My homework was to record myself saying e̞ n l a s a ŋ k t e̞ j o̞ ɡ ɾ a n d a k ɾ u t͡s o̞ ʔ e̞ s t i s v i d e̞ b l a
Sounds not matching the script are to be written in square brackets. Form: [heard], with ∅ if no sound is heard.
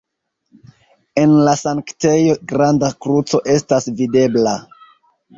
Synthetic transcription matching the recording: e̞ n l a s a ŋ k t e̞ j o̞ ɡ ɾ a n d a k ɾ u t͡s o̞ ʔ e̞ s t [a] s v i d e̞ b l a